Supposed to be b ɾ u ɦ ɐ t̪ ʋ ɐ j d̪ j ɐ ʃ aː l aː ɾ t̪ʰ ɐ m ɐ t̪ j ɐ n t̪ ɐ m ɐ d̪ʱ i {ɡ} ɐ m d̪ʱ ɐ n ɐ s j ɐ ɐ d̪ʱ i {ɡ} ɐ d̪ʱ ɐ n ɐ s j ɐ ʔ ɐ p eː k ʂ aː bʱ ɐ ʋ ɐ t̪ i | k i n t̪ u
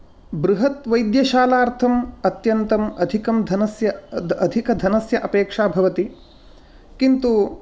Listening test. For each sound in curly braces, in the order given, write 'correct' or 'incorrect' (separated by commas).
incorrect, incorrect